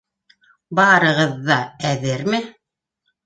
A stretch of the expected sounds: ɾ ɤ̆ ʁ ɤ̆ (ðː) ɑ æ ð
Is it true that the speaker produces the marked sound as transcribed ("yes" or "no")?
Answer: yes